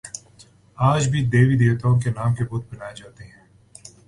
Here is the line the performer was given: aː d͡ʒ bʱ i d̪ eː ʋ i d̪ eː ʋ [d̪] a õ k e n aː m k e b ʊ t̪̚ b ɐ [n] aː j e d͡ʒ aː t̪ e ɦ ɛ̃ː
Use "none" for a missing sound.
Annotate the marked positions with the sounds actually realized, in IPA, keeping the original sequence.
t̪, n

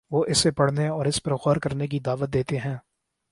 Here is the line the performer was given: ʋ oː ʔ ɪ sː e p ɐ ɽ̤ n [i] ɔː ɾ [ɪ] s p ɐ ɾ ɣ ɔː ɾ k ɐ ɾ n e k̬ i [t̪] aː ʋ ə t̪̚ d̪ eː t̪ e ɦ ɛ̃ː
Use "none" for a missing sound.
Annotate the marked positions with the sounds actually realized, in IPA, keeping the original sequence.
e, ɪ, d̪

